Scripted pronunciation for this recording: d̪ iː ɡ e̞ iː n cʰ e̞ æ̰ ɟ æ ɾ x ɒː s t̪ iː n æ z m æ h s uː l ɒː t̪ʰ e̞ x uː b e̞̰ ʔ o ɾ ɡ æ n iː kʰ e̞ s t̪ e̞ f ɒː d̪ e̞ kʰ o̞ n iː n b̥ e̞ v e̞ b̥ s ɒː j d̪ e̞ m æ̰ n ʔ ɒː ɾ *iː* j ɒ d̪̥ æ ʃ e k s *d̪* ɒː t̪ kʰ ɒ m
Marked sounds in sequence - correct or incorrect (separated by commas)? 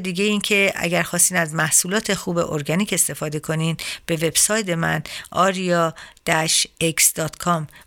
incorrect, correct